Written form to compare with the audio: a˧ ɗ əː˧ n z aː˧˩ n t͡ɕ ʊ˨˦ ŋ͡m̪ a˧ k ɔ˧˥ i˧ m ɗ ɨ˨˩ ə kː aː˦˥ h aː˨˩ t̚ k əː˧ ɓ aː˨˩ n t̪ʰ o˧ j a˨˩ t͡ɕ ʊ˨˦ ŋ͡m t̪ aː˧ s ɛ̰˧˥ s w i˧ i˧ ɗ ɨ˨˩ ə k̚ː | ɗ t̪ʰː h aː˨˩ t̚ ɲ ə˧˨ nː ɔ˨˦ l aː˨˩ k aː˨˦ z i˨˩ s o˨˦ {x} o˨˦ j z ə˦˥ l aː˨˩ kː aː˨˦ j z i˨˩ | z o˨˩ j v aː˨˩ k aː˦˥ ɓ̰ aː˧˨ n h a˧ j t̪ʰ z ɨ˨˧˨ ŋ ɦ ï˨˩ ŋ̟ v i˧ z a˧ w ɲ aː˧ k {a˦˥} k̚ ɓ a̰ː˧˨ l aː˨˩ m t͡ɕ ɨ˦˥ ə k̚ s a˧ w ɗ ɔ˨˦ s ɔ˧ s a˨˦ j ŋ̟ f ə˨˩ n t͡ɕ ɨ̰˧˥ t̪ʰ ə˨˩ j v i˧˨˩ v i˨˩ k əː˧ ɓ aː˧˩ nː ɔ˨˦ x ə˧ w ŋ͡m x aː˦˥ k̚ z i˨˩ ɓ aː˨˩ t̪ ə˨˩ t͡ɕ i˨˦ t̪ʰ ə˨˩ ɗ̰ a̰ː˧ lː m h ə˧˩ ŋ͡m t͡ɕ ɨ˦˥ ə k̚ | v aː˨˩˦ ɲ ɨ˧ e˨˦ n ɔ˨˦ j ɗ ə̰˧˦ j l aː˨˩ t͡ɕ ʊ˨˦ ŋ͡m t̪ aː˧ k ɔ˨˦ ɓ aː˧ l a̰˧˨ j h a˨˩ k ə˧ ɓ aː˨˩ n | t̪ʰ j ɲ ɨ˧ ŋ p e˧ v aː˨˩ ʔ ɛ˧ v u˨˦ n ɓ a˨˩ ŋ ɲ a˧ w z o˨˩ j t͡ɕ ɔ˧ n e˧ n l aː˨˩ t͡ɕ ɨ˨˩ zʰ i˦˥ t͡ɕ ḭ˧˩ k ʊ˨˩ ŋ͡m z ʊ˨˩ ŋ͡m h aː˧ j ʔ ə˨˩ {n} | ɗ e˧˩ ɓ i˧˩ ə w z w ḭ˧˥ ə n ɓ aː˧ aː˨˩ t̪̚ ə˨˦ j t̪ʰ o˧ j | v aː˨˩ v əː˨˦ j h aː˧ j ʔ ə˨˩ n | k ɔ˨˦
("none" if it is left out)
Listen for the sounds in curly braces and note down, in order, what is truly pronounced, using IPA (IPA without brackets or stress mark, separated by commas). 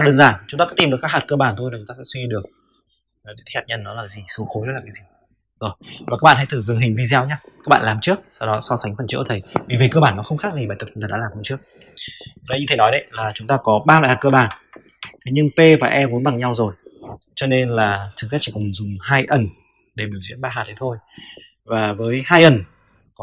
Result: x, a˦˥, n